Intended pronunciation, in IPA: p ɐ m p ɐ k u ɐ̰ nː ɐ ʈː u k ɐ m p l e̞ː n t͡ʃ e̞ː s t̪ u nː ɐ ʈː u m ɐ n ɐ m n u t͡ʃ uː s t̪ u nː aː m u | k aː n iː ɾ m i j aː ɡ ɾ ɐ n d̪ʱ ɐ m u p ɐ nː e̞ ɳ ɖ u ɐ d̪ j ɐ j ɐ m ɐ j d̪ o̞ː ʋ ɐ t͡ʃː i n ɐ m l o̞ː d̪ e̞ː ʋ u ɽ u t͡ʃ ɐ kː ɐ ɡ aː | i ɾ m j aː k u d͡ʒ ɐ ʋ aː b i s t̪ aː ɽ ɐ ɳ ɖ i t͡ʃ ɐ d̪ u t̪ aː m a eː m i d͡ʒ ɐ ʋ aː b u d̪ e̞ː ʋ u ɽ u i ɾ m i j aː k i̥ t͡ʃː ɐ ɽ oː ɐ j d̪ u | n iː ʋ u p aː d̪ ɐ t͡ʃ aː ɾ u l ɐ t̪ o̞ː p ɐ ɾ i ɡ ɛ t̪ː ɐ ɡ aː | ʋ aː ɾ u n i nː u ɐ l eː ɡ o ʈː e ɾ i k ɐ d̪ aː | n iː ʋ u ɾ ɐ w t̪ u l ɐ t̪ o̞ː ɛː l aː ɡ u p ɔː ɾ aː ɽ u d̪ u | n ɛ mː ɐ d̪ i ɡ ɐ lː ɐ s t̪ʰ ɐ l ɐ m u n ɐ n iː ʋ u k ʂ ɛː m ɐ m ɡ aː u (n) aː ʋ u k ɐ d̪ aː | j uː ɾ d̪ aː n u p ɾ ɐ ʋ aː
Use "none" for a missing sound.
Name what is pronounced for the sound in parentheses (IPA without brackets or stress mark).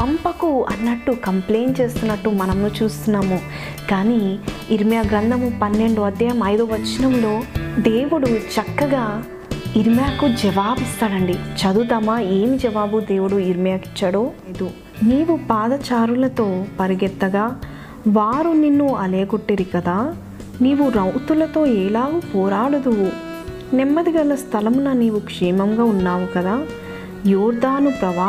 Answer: nː